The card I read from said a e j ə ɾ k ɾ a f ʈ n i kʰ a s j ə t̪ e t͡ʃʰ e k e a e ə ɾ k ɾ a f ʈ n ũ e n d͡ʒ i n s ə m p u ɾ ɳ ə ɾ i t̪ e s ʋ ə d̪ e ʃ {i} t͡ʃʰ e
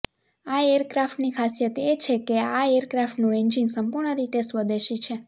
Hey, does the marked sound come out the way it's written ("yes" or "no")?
yes